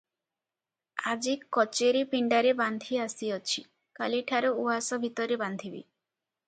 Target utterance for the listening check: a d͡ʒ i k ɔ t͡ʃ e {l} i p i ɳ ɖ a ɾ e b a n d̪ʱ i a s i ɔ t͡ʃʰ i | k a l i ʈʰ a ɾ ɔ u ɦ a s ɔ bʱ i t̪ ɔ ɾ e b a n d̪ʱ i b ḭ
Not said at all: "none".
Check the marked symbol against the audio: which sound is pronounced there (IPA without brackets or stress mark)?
ɾ